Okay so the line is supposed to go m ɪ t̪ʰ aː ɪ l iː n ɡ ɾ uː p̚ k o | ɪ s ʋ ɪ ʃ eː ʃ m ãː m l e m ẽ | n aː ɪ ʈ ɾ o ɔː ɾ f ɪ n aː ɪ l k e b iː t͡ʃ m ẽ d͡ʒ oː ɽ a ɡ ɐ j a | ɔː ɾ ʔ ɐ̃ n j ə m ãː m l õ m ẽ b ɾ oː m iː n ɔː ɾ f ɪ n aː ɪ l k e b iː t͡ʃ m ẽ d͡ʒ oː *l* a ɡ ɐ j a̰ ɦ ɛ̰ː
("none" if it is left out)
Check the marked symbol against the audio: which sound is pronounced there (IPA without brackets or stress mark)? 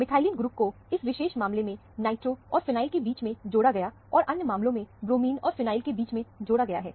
ɽ